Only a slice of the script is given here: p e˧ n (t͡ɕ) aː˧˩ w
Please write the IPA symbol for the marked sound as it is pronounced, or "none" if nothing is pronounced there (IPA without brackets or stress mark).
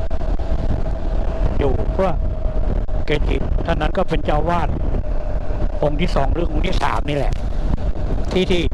t͡ɕ